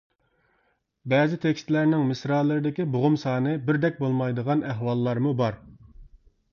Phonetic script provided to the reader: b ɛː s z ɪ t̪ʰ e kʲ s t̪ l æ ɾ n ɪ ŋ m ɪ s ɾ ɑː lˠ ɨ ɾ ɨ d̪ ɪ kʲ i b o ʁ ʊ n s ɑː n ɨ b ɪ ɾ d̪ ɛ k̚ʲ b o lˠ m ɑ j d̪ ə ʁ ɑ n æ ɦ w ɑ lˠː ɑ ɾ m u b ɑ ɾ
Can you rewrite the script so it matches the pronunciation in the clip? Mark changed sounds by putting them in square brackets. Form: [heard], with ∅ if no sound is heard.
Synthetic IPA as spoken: b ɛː [∅] z ɪ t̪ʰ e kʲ s t̪ l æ ɾ n ɪ ŋ m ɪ s ɾ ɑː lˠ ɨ ɾ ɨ d̪ ɪ kʲ i b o ʁ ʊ [m] s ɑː n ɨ b ɪ ɾ d̪ ɛ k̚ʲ b o lˠ m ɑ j d̪ ə ʁ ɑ n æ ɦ w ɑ lˠː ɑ ɾ m u b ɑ ɾ

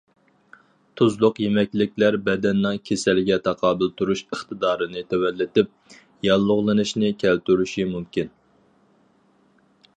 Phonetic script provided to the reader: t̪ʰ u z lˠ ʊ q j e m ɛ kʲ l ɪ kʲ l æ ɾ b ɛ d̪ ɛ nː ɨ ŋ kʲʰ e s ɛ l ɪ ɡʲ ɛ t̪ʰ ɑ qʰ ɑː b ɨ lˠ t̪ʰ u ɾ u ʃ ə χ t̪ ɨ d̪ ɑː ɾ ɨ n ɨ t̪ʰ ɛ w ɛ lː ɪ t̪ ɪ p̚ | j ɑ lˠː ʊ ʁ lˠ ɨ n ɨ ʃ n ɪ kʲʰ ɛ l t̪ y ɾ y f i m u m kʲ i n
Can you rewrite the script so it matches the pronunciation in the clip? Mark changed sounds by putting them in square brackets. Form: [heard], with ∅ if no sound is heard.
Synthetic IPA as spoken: t̪ʰ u z lˠ ʊ q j e m ɛ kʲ l ɪ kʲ l æ ɾ b ɛ d̪ ɛ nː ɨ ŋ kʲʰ e s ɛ l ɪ ɡʲ ɛ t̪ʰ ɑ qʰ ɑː b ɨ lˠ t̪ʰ u ɾ u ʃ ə χ t̪ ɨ d̪ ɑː ɾ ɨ n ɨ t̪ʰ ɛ w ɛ lː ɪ t̪ ɪ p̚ | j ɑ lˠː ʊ ʁ lˠ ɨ n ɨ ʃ n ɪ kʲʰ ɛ l t̪ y ɾ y [ʃ] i m u m kʲ i n

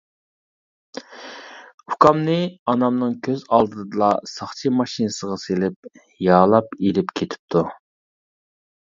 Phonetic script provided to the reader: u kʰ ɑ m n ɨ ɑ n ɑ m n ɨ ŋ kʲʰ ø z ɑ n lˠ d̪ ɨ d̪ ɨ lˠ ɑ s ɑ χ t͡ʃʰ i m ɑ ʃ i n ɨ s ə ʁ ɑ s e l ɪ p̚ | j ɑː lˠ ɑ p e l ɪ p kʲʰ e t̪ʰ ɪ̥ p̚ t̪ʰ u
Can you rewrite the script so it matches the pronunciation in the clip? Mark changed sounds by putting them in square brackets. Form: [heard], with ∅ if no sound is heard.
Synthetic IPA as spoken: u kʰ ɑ m n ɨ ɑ n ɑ m n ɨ ŋ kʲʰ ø z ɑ [∅] lˠ d̪ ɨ d̪ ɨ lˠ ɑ s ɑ χ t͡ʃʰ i m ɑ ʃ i n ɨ s ə ʁ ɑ s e l ɪ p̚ | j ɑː lˠ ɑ p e l ɪ p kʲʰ e t̪ʰ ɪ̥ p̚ t̪ʰ u

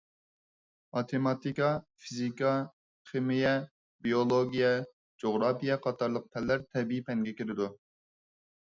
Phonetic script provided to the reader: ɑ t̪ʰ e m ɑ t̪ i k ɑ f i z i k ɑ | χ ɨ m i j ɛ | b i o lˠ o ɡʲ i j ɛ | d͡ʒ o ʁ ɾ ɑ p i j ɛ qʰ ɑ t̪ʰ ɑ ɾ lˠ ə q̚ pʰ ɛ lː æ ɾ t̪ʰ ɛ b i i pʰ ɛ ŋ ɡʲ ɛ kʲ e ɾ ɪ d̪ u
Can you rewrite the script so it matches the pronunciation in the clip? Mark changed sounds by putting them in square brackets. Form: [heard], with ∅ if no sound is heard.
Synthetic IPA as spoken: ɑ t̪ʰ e m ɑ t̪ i k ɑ f i z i k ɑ | χ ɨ m i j ɛ | b i o lˠ o ɡʲ i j ɛ | d͡ʒ o ʁ ɾ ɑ p i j ɛ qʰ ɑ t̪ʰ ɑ ɾ lˠ ə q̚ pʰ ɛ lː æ ɾ t̪ʰ ɛ b i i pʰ ɛ ŋ ɡʲ ɛ kʲ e ɾ ɪ d̪ u

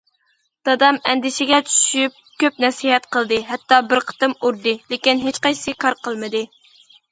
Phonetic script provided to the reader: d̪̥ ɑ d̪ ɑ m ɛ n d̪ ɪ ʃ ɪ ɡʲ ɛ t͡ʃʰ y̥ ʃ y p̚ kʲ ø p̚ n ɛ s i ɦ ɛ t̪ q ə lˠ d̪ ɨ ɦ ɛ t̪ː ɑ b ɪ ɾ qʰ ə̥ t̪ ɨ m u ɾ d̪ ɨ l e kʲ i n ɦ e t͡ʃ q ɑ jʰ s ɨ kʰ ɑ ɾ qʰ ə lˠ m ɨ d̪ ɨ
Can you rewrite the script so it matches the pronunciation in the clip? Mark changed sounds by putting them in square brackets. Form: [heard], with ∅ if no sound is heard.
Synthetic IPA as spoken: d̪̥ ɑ d̪ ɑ m ɛ n d̪ ɪ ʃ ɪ ɡʲ ɛ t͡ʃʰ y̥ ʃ y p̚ kʲ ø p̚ n ɛ s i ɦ ɛ t̪ q ə lˠ d̪ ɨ ɦ ɛ t̪ː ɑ b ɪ ɾ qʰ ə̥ t̪ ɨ m u ɾ d̪ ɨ l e kʲ i n ɦ e t͡ʃ q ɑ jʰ s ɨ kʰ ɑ ɾ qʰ ə lˠ m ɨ d̪ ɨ

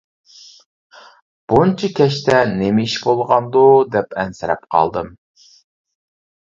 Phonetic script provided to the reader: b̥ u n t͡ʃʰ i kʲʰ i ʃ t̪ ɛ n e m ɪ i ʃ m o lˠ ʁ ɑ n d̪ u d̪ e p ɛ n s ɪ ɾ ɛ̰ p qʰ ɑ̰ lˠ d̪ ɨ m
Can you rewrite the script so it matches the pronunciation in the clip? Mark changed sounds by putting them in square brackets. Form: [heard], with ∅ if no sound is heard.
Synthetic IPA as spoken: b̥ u n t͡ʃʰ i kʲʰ [ɛ] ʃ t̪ ɛ n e m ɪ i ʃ [b] o lˠ ʁ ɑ n d̪ u d̪ [ɛ] p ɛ n s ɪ ɾ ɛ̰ p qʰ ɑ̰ lˠ d̪ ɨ m

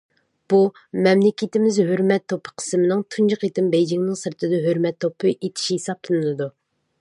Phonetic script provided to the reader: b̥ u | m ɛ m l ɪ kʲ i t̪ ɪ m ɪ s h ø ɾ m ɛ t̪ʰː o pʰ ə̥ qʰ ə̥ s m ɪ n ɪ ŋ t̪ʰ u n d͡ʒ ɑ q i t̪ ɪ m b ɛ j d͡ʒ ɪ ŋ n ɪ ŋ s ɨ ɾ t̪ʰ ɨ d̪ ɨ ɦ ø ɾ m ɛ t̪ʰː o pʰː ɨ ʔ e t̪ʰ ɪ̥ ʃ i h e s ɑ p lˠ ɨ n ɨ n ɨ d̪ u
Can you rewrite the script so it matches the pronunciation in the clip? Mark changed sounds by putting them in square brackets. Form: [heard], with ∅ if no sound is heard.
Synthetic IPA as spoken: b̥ u | m ɛ m l ɪ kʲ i t̪ ɪ m ɪ [z] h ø ɾ m ɛ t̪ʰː o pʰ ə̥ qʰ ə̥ s m ɪ n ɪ ŋ t̪ʰ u n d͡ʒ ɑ q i t̪ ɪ m b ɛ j d͡ʒ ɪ ŋ n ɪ ŋ s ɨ ɾ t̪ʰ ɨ d̪ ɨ ɦ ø ɾ m ɛ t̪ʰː o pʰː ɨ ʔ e t̪ʰ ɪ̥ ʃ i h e s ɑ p lˠ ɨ n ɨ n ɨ d̪ u

